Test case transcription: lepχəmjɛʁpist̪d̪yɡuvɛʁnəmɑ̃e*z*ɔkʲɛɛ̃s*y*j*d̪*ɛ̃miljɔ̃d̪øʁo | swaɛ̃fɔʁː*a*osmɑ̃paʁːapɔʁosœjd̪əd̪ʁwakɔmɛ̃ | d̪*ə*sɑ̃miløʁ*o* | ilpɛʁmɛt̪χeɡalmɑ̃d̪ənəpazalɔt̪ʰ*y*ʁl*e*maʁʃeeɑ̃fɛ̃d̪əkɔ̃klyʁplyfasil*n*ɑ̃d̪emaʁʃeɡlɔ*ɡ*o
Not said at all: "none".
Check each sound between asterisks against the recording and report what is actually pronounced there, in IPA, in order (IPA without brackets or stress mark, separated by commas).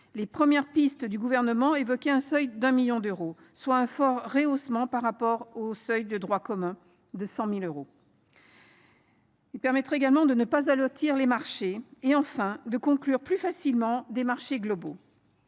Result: v, œ, d̪, e, ə, o, i, e, m, b